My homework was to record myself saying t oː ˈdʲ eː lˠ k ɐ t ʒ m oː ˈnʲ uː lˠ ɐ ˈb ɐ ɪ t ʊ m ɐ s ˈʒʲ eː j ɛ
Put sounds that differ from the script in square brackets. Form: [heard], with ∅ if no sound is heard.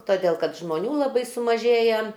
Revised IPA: t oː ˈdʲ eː lˠ k ɐ t ʒ m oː ˈnʲ uː lˠ ɐ ˈb ɐ ɪ [s] ʊ m ɐ [∅] ˈʒʲ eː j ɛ